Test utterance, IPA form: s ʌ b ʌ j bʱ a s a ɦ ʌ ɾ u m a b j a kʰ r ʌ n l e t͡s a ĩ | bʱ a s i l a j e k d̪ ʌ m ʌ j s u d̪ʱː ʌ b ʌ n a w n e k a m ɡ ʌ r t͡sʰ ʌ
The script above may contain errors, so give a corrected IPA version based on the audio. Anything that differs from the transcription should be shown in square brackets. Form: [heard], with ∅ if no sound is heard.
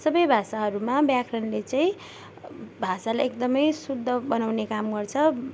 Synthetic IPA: s ʌ b ʌ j bʱ a s a ɦ ʌ ɾ u m a b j a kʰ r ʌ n l e t͡s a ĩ | bʱ a s [a] l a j e k d̪ ʌ m ʌ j s u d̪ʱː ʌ b ʌ n a w n e k a m ɡ ʌ r t͡sʰ ʌ

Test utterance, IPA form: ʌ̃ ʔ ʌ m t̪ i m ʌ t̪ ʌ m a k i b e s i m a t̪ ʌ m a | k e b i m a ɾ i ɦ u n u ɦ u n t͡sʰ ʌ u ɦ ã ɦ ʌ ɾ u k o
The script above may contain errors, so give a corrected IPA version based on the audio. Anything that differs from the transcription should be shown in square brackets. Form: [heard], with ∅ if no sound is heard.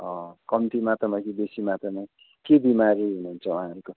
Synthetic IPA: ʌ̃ [k] ʌ m t̪ i m [a] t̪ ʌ m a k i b e s i m a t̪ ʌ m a | k e b i m a ɾ i ɦ u n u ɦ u n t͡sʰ ʌ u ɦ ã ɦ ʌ ɾ u k o

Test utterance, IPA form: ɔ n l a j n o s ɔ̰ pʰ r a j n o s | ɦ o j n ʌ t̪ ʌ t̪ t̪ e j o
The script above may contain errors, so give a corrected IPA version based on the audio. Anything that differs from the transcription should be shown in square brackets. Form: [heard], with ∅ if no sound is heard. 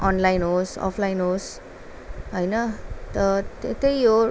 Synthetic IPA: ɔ n l a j n o s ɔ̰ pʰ [l] a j n o s | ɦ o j n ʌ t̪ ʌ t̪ t̪ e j o

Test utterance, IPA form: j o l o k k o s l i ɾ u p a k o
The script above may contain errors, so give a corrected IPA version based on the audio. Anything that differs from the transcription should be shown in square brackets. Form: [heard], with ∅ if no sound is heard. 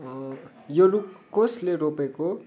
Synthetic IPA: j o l [u] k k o s l [e] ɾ [o] p [e] k o

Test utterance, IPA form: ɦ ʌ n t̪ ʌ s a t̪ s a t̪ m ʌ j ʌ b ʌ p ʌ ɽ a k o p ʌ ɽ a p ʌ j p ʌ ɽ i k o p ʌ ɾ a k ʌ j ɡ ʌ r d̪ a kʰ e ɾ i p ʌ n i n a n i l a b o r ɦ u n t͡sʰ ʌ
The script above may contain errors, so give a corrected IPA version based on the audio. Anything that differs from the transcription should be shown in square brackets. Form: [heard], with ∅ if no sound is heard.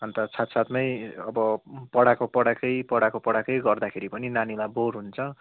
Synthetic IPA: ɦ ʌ n t̪ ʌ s a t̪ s a t̪ m ʌ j ʌ b ʌ p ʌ ɽ a k o p ʌ ɽ a [k] ʌ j p ʌ ɽ [a] k o p ʌ [ɽ] a k ʌ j ɡ ʌ r d̪ a kʰ e ɾ i p ʌ n i n a n i l a b o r ɦ u n t͡sʰ ʌ

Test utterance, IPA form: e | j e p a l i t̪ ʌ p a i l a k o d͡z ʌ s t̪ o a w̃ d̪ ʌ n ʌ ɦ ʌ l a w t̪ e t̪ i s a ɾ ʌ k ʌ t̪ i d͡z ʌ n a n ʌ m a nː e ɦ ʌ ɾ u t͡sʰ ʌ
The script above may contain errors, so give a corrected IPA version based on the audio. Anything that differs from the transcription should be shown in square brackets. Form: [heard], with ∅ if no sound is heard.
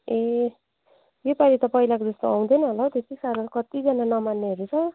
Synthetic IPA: e | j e p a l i t̪ ʌ p [ʌ] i l a k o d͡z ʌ s t̪ o a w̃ d̪ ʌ n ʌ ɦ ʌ l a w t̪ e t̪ i s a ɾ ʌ k ʌ t̪ i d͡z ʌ n a n ʌ m a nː e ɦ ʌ ɾ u t͡sʰ ʌ

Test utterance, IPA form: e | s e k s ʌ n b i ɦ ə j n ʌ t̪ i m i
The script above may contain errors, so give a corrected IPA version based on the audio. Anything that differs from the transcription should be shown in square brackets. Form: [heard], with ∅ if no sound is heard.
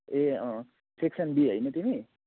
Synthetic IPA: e | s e k s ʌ n b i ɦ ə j n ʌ t̪ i m i

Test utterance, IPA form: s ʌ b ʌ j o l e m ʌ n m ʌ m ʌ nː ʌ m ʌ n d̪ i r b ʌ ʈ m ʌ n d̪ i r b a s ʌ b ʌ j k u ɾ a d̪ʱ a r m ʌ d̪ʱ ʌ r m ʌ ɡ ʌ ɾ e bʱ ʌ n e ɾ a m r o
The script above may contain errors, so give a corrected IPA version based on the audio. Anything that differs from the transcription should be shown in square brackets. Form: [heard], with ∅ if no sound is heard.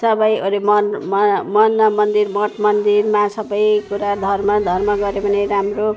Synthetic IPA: s ʌ b ʌ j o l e m ʌ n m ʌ m ʌ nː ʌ m ʌ n d̪ i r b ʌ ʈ m ʌ n d̪ i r [m] a s ʌ b ʌ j k u ɾ a d̪ʱ [ʌ] r m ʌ d̪ʱ ʌ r m ʌ ɡ ʌ ɾ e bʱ ʌ n e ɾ a m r o

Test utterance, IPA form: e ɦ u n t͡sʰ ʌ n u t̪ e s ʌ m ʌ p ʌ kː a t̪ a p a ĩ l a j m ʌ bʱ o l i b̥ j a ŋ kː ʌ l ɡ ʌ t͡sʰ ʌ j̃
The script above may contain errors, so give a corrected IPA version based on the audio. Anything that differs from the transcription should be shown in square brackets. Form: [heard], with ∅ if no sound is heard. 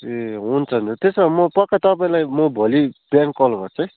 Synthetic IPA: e ɦ u n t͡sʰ ʌ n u t̪ e s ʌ m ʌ p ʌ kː a t̪ [ʌ] p a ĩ l a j m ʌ bʱ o l i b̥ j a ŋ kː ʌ l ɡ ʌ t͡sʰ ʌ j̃

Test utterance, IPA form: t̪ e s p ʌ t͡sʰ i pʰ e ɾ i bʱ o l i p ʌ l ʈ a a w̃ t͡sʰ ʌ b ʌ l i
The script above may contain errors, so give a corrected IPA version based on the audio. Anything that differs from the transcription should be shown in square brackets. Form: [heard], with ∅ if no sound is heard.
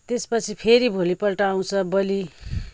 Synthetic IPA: t̪ e s p ʌ t͡sʰ i pʰ e ɾ i bʱ o l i p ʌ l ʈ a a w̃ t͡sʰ ʌ b ʌ l i

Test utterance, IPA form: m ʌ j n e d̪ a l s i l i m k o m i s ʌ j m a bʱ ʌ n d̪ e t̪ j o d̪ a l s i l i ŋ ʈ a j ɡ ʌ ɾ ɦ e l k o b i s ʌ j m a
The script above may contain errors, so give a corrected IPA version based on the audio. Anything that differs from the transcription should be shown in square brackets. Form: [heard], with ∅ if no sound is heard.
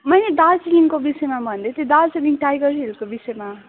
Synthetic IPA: m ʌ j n e d̪ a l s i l i [ŋ] k o [b] i s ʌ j m a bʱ ʌ n d̪ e t̪ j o d̪ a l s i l i ŋ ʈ a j ɡ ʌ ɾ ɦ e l k o b i s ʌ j m a

